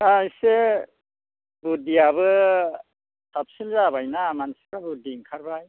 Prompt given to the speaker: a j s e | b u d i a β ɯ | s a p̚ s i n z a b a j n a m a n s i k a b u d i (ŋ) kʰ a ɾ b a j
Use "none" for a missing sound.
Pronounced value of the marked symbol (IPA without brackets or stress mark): ŋ